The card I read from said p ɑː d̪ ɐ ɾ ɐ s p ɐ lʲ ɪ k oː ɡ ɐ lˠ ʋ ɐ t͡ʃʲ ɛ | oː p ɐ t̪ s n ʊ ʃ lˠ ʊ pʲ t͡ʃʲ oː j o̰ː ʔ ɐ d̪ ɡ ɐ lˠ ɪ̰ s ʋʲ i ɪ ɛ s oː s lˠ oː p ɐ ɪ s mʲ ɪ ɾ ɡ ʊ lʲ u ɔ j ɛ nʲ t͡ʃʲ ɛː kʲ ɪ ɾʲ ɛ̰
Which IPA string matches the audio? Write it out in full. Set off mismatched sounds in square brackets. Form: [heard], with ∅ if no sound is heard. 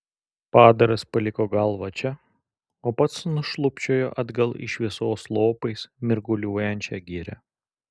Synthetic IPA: p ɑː d̪ ɐ ɾ ɐ s p ɐ lʲ ɪ k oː ɡ ɐ lˠ ʋ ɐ t͡ʃʲ ɛ | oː p ɐ t̪ s n ʊ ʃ lˠ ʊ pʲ t͡ʃʲ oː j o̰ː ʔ ɐ d̪ ɡ ɐ lˠ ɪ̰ [ʃ] ʋʲ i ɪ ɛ s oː s lˠ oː p ɐ ɪ s mʲ ɪ ɾ ɡ ʊ lʲ u ɔ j ɛ nʲ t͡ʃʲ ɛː [ɡʲ] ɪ ɾʲ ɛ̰